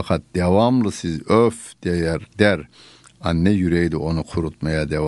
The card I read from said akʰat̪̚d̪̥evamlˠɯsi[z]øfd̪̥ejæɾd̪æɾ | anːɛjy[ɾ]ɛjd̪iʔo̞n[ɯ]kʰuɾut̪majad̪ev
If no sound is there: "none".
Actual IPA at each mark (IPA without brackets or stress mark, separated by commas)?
z, ɾ, u